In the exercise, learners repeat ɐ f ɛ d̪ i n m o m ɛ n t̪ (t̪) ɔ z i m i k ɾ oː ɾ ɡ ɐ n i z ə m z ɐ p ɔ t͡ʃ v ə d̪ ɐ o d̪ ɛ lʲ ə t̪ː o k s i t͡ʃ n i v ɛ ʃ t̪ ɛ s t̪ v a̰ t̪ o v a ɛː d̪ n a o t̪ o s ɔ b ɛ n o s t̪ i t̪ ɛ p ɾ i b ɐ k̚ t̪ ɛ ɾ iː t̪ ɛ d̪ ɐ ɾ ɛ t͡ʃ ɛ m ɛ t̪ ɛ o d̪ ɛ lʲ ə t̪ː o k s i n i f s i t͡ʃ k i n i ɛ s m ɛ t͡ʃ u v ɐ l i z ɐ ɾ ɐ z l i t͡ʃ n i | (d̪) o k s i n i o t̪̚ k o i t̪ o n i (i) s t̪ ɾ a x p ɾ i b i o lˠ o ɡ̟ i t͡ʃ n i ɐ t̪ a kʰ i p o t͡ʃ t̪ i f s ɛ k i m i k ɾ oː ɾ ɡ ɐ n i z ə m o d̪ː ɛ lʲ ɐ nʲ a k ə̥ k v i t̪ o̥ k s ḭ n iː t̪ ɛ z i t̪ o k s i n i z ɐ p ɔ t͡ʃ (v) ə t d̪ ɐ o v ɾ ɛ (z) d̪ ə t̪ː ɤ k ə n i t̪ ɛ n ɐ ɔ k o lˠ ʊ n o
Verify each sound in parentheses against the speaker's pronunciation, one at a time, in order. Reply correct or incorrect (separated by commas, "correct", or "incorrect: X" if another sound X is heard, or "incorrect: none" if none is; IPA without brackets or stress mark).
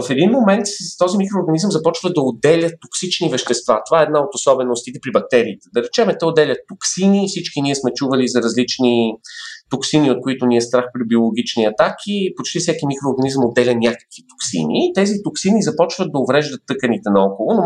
correct, incorrect: t̪, incorrect: ɛ, correct, incorrect: ʒ